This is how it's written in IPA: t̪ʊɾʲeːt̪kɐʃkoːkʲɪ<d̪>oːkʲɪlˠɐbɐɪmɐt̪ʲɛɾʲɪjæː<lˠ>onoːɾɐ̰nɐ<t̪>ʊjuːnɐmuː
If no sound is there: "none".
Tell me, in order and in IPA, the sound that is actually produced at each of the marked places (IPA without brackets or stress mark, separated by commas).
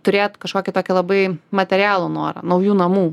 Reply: t̪, lˠ, none